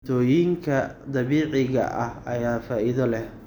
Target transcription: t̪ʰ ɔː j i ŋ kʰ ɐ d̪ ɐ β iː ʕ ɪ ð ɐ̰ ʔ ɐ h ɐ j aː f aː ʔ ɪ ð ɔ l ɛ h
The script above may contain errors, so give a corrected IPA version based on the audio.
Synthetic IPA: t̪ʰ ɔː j i ŋ kʰ ɐ d̪ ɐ β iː ʕ ɪ ɣ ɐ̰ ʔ ɐ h ɐ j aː f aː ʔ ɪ ð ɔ l ɛ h